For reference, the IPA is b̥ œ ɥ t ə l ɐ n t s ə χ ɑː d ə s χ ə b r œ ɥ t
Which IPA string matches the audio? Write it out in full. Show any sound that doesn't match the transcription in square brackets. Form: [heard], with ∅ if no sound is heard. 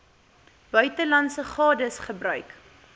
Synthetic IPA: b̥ œ ɥ t ə l ɐ n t s ə χ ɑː d ə s χ ə b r œ ɥ [k]